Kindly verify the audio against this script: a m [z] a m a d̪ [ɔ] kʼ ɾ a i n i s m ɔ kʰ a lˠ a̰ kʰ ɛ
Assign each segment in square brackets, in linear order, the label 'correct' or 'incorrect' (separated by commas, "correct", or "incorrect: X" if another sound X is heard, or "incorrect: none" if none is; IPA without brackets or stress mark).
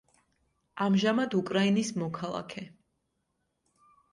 incorrect: ʒ, incorrect: u